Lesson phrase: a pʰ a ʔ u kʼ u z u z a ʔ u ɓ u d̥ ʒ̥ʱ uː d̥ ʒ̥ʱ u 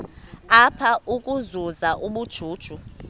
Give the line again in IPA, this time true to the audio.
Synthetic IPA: a pʰ a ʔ u kʼ u z u z a ʔ u ɓ u d̥ ʒ̥ʱ uː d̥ ʒ̥ʱ u